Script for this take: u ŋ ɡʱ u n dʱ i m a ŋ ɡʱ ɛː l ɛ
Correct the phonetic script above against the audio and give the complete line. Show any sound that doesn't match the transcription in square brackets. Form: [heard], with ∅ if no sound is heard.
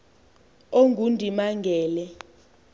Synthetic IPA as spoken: [o] ŋ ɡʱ u n dʱ i m a ŋ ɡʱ ɛː l ɛ

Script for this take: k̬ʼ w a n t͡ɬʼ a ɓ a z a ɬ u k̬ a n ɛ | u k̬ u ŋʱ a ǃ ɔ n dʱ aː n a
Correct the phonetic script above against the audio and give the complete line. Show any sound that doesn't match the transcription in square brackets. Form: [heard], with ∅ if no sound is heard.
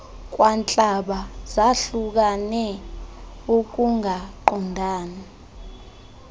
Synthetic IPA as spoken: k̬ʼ w a n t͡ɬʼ a ɓ a z a ɬ u k̬ a n ɛ | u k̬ u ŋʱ a ǃ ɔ n dʱ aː n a

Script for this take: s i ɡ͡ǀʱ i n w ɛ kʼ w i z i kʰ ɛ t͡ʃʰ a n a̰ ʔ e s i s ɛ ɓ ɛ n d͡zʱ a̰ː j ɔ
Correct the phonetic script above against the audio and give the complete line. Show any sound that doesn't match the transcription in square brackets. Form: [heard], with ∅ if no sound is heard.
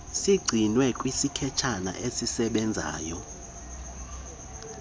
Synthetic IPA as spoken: s i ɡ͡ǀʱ i n w ɛ kʼ w i [s] i kʰ ɛ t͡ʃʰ a n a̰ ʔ e s i s ɛ ɓ ɛ n d͡zʱ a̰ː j ɔ

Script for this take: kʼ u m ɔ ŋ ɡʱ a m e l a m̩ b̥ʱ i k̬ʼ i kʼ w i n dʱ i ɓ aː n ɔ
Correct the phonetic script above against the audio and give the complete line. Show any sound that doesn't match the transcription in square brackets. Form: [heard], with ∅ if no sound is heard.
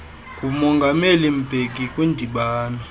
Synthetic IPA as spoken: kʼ u m ɔ ŋ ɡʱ a m e l [i] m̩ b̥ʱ [e] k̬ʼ i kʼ w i n dʱ i ɓ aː n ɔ

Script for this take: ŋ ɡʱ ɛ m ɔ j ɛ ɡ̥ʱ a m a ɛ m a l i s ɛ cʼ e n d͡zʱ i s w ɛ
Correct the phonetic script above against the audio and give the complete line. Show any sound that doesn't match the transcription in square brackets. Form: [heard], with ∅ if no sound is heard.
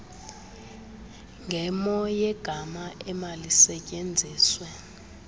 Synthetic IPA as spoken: ŋ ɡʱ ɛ m ɔ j ɛ ɡ̥ʱ a m a ɛ m a l i s ɛ cʼ e n d͡zʱ [iː] s w ɛ

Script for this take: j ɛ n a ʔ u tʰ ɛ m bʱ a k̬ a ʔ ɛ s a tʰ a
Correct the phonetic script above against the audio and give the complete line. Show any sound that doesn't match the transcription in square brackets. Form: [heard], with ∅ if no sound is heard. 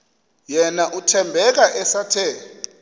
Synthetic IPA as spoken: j ɛ n a ʔ u tʰ ɛ m bʱ [ɛ] k̬ a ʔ ɛ s a tʰ [ɛ]

